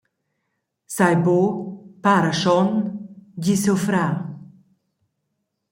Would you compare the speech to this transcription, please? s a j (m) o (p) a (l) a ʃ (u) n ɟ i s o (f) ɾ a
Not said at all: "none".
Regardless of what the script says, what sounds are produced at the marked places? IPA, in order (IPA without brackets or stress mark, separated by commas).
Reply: b, p, ɾ, ɔ, f